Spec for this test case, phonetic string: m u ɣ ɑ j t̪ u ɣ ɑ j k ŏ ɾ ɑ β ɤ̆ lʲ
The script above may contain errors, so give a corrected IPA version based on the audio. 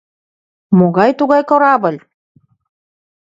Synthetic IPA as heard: m o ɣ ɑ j t̪ u ɣ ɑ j k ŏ ɾ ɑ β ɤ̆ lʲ